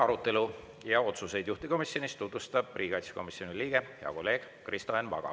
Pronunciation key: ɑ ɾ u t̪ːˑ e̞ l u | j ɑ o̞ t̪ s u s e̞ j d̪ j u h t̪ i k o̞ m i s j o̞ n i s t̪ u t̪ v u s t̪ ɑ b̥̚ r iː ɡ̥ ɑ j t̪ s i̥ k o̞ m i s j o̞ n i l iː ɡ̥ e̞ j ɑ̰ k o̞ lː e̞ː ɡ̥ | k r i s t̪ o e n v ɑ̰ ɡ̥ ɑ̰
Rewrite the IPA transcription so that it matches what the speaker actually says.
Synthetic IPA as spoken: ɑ ɾ u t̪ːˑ e̞ l u | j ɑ o̞ t̪ s u s e̞ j d̪ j u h t̪ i k o̞ m i s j o̞ n i s t̪ u t̪ v u s t̪ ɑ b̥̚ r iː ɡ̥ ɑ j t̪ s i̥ k o̞ m i s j o̞ n i l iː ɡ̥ e̞ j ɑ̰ k o̞ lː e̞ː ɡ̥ | k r i s t̪ o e n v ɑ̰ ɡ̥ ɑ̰